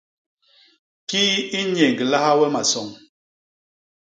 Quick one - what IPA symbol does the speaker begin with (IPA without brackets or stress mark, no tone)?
k